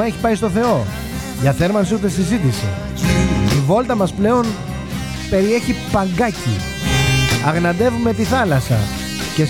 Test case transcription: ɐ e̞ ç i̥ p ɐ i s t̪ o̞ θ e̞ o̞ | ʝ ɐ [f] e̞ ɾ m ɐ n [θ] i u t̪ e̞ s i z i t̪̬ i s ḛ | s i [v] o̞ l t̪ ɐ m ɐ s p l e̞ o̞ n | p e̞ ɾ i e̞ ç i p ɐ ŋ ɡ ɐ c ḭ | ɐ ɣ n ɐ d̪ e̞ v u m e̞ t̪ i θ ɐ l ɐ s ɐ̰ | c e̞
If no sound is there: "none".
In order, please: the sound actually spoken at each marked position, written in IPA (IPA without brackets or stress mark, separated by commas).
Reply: θ, s, v